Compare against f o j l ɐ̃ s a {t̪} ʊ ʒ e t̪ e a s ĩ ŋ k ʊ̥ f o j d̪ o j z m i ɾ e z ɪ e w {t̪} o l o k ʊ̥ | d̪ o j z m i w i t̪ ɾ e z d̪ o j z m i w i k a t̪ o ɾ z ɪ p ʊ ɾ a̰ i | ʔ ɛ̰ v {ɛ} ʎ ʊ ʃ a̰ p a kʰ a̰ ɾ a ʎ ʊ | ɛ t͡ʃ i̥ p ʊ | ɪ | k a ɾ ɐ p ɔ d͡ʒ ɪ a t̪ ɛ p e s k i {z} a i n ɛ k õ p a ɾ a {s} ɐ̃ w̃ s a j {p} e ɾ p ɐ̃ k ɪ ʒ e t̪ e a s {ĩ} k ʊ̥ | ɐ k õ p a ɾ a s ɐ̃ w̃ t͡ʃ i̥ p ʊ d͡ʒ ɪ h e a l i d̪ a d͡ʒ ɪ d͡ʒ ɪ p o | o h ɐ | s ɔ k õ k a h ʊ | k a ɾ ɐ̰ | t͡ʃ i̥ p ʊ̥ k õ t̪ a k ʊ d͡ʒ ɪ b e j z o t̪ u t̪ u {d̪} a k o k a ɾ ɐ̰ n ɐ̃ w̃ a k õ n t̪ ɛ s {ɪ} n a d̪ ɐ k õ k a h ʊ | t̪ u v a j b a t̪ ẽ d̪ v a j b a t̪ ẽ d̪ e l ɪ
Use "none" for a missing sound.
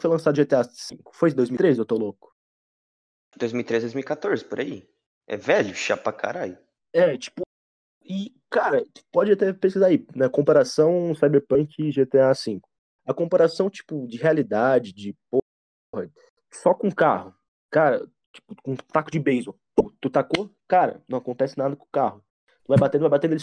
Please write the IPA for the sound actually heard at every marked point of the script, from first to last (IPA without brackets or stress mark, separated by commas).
d̪, t̪, ɛ, z, s, b, ĩ, t̪, ɪ